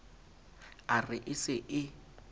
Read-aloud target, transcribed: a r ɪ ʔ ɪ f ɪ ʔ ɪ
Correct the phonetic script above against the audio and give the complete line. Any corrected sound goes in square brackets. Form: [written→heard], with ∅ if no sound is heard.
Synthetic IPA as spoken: a r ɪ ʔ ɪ [f→s] ɪ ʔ ɪ